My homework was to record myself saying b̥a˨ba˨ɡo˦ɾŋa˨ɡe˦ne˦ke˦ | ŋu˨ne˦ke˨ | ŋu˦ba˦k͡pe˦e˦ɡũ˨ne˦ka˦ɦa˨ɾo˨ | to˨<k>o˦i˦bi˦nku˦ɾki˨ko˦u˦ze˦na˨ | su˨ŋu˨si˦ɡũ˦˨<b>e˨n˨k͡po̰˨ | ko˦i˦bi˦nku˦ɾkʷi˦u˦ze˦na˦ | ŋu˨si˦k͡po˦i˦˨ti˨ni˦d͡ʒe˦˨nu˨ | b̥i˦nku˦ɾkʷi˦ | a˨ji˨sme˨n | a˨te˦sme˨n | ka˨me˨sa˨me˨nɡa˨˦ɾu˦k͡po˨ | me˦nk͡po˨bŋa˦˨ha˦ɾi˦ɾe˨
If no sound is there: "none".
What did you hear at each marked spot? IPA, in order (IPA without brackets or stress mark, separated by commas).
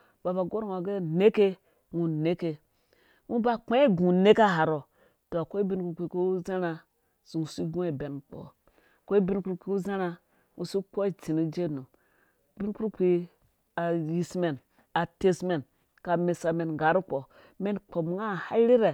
k, b